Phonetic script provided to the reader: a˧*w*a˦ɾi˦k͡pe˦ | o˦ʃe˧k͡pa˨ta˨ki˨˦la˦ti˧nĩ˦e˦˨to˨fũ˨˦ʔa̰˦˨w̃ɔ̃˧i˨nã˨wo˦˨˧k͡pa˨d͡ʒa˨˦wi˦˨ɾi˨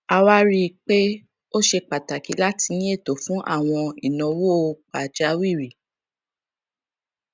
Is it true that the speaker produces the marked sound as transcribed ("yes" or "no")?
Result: yes